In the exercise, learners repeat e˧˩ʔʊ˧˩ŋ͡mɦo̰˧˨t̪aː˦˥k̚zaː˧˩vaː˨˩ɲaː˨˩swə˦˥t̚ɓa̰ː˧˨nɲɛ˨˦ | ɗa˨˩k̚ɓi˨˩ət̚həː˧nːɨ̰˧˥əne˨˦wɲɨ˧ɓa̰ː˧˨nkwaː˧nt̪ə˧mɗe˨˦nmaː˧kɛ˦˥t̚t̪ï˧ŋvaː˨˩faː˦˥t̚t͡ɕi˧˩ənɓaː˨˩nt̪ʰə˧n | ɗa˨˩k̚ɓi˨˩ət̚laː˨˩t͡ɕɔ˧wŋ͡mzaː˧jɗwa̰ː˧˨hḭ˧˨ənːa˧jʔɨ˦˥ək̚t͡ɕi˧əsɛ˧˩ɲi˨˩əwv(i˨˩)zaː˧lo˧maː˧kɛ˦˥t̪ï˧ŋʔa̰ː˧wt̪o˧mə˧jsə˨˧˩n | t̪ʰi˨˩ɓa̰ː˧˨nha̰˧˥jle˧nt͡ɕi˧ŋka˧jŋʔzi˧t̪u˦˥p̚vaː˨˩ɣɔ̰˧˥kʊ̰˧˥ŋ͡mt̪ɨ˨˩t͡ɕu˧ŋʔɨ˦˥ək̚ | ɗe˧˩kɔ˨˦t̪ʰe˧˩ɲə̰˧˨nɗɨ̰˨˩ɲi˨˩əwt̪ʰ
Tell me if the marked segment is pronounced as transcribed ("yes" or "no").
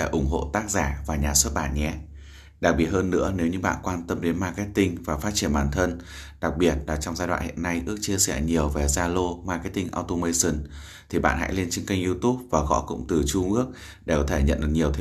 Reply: no